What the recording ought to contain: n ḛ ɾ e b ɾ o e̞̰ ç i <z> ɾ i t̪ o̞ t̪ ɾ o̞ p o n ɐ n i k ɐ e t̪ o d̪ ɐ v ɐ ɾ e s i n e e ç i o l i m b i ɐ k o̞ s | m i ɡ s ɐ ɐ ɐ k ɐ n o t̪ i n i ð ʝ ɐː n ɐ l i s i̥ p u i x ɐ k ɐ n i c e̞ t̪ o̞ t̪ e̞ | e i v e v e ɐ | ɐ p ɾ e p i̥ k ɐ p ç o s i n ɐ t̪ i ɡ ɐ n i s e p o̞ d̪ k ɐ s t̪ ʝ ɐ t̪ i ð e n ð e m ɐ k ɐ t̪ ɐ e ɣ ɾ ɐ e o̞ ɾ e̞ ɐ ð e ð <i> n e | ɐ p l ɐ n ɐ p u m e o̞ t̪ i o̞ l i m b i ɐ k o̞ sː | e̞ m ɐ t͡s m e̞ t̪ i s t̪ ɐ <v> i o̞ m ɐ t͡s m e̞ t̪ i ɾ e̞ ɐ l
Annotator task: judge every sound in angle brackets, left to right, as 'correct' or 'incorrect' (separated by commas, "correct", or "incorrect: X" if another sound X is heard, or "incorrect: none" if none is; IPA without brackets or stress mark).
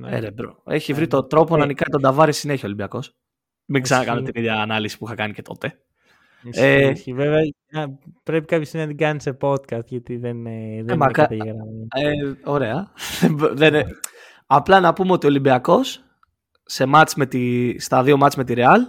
incorrect: v, incorrect: e, incorrect: ð